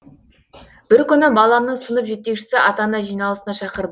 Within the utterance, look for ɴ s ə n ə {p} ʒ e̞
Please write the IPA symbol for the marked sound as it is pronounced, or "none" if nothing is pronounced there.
p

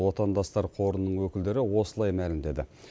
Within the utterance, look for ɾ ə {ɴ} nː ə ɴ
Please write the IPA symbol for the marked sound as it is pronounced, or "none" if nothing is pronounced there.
none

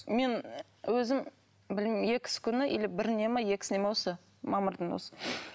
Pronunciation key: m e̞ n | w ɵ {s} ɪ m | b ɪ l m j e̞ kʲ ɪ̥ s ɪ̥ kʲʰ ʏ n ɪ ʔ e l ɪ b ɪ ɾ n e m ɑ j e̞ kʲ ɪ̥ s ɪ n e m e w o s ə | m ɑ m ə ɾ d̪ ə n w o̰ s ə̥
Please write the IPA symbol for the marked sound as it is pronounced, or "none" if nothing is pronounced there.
z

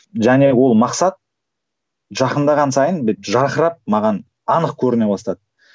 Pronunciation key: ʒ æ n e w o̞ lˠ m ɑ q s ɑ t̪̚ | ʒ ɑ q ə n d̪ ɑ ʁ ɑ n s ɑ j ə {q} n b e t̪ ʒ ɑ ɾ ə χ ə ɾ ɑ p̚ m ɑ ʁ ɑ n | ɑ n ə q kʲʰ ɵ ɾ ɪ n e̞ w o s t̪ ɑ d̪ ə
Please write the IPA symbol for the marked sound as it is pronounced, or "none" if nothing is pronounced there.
none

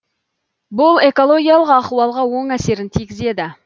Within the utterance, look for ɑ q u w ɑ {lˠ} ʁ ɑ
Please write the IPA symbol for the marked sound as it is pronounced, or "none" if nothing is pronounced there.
lˠ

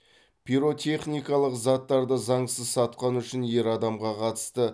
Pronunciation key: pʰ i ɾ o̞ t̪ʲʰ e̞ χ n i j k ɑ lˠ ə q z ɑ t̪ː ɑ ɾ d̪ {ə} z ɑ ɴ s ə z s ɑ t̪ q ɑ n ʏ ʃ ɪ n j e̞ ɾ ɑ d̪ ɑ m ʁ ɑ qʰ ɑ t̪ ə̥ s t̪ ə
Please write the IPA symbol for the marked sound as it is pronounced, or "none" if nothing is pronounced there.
ə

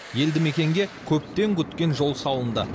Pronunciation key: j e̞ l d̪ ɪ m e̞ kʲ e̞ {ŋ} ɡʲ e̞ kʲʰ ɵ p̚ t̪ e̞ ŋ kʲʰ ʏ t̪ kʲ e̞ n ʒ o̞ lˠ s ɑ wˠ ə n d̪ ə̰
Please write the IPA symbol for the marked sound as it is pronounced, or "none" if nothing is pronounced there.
ŋ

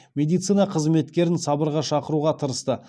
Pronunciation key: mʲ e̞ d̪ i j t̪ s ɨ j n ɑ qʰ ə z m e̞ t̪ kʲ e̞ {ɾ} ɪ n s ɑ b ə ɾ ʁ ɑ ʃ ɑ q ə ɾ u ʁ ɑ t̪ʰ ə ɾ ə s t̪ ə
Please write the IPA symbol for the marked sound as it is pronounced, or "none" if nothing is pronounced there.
ɾ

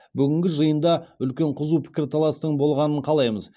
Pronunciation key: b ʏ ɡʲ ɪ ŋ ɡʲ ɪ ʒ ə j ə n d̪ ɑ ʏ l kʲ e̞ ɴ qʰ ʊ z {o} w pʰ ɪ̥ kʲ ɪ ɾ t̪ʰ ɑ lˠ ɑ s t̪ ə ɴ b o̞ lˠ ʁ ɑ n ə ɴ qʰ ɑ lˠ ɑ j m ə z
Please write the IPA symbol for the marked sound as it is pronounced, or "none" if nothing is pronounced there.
u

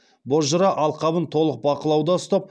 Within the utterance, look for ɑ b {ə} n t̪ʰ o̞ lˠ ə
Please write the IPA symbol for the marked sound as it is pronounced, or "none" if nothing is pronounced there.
ə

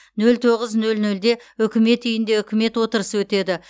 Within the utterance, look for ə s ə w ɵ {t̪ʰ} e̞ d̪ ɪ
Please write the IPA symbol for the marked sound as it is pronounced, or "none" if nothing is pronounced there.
t̪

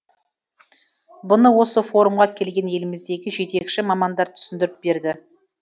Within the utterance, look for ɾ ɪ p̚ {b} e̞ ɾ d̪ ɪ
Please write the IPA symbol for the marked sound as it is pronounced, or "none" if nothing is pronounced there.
b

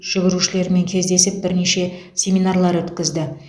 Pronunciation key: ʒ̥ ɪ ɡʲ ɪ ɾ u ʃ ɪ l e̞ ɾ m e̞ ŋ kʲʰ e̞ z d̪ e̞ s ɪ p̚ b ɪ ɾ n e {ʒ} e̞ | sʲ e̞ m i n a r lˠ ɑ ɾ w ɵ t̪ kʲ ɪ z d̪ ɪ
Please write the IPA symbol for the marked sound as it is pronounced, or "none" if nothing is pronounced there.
ʃ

